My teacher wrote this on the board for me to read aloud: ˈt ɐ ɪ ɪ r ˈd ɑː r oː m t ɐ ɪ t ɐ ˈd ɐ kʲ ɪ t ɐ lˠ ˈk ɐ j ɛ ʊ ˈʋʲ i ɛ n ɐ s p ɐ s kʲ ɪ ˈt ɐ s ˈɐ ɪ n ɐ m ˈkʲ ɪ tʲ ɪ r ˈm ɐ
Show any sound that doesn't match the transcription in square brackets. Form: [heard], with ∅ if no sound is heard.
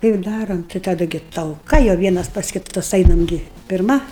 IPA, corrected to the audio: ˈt ɐ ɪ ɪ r ˈd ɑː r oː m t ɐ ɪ t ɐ ˈd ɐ [ɡʲ] ɪ t ɐ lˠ ˈk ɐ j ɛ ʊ ˈʋʲ i ɛ n ɐ s p ɐ s kʲ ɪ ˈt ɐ s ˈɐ ɪ n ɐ m [ˈɡʲ] ɪ [pʲ] ɪ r ˈm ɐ